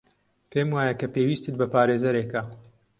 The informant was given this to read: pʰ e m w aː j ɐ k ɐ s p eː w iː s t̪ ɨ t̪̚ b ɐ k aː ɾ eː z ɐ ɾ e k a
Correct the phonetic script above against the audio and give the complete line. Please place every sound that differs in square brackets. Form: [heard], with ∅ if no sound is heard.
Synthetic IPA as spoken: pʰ e m w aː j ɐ k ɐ [∅] p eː w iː s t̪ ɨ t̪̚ b ɐ [p] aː ɾ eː z ɐ ɾ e k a